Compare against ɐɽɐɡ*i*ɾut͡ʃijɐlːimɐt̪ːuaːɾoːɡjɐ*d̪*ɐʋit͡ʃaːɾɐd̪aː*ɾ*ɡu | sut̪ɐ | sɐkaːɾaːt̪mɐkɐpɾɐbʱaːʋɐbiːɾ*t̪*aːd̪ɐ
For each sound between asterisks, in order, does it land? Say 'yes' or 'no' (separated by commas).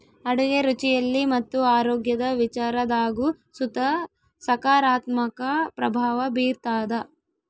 no, yes, no, yes